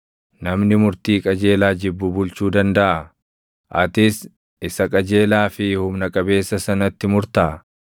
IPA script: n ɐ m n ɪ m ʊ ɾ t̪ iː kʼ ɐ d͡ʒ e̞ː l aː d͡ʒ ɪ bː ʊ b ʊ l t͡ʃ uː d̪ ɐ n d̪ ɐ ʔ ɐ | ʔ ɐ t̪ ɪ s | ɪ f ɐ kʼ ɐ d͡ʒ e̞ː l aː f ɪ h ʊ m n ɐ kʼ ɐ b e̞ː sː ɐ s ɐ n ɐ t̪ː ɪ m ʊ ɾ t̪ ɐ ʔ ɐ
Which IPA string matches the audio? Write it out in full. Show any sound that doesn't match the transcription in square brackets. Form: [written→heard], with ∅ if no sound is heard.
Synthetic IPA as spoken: n ɐ m n ɪ m ʊ ɾ t̪ iː kʼ ɐ d͡ʒ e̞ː l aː d͡ʒ ɪ bː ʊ b ʊ l t͡ʃ uː d̪ ɐ n d̪ ɐ ʔ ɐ | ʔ ɐ t̪ ɪ s | ɪ [f→s] ɐ kʼ ɐ d͡ʒ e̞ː l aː f ɪ h ʊ m n ɐ kʼ ɐ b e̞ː sː ɐ s ɐ n ɐ t̪ː ɪ m ʊ ɾ t̪ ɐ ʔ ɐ